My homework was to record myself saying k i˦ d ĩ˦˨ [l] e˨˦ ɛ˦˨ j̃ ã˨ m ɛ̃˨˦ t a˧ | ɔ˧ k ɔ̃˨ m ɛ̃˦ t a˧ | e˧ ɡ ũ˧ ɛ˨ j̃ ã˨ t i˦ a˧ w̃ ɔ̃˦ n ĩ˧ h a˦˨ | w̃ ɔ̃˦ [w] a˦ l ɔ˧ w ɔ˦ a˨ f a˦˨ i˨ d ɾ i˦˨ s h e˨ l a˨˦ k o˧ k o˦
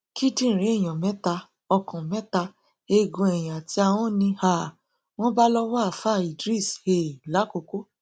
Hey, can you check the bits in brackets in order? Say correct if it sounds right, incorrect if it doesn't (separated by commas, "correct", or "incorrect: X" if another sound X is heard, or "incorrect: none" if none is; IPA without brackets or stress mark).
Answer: incorrect: ɾ, incorrect: b